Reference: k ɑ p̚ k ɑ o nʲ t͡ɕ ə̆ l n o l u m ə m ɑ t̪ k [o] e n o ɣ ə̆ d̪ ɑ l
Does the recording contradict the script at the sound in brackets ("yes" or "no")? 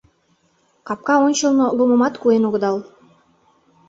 yes